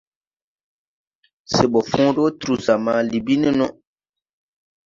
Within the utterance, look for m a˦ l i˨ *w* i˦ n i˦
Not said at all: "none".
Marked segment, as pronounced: b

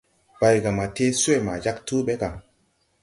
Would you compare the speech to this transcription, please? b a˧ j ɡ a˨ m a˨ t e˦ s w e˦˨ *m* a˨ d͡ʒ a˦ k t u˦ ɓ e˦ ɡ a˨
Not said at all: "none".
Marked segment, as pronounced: m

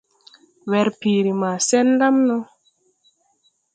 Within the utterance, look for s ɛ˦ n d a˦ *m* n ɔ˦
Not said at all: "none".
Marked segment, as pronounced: m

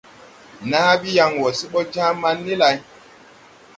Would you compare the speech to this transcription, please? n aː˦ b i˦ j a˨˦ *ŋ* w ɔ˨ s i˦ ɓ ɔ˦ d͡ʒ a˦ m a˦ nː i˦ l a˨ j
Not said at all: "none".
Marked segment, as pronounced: ŋ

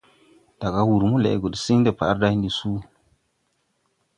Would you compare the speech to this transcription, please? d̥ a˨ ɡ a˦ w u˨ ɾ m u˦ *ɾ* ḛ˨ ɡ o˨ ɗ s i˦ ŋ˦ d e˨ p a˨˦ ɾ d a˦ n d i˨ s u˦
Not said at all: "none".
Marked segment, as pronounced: l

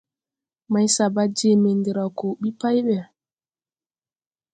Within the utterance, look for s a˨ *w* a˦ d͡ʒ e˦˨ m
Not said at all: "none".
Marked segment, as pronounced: b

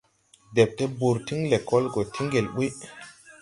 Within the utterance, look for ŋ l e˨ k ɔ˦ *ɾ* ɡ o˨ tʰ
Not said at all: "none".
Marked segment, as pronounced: l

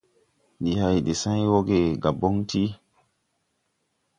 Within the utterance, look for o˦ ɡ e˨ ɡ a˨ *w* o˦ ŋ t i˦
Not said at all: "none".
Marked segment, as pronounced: b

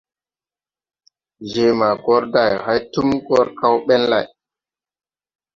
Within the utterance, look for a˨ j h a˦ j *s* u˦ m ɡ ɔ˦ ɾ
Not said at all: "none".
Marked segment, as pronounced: t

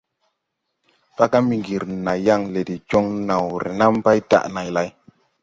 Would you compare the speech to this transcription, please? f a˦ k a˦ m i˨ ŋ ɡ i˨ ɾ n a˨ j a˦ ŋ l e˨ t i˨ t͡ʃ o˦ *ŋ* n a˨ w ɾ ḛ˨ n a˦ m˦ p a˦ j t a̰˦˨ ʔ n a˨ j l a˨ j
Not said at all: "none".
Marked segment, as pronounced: ŋ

